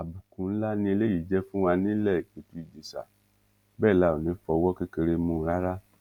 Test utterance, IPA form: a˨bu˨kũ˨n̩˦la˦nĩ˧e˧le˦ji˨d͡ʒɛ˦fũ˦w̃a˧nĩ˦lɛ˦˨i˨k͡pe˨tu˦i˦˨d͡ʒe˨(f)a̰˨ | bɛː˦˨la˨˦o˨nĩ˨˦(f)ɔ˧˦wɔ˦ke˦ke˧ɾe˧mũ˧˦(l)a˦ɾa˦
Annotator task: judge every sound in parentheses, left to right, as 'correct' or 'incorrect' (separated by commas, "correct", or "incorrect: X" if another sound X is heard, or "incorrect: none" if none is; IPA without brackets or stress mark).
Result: incorrect: s, correct, incorrect: ɾ